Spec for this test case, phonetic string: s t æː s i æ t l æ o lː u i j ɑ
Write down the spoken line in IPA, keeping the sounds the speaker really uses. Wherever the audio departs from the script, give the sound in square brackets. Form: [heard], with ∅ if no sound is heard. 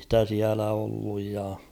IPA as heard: s t [æ] s i æ [∅] l æ o lː u [j] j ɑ